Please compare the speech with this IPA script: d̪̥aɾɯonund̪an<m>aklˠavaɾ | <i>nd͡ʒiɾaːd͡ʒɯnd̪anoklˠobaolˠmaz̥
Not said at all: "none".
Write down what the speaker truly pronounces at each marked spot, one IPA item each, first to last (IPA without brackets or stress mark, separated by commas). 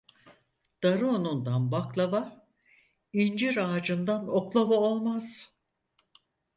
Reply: b, i